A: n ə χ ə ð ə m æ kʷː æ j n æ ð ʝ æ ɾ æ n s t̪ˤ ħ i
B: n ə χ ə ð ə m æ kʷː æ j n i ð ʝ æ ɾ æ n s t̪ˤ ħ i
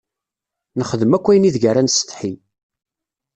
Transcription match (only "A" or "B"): B